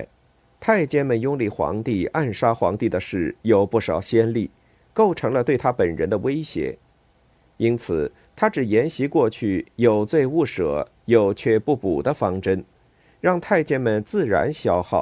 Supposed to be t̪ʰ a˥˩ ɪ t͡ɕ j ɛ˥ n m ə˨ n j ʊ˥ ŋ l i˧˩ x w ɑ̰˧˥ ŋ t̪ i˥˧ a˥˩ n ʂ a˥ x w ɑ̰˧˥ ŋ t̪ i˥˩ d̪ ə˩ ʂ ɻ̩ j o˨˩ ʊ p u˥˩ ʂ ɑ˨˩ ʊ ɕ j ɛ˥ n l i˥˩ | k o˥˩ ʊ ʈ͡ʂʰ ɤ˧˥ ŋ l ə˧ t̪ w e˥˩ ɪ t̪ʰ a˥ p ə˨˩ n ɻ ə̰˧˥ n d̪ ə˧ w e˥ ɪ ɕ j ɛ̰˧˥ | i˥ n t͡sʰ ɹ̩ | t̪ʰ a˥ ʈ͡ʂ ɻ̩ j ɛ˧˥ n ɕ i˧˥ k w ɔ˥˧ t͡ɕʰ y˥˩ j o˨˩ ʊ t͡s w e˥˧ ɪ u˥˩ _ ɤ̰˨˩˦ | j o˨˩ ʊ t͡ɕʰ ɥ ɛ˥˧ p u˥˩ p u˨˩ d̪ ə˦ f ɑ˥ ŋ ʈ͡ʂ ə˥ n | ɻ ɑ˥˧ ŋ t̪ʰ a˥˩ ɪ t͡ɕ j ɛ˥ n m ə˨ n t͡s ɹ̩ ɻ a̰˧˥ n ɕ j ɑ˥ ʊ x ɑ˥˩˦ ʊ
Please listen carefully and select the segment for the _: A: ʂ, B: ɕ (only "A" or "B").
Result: A